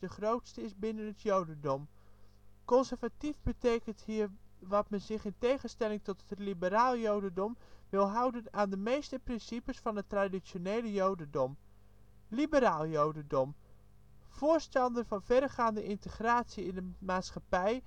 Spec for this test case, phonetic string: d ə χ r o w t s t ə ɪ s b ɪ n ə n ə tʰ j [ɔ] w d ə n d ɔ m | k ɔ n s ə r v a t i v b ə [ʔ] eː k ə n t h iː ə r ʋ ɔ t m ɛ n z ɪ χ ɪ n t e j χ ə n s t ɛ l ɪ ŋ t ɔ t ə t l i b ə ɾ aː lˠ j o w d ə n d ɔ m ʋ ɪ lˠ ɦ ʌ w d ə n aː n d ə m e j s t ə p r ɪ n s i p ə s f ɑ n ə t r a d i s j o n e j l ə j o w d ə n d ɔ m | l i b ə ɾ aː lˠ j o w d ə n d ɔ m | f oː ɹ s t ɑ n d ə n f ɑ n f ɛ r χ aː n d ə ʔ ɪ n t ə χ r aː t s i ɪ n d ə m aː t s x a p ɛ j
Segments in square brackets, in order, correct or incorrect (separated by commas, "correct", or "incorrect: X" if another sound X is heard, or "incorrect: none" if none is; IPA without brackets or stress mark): incorrect: o, incorrect: t